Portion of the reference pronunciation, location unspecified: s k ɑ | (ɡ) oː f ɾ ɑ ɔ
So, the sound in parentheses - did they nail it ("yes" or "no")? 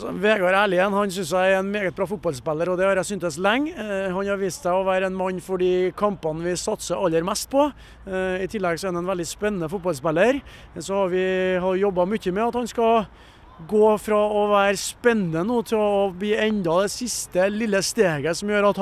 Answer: yes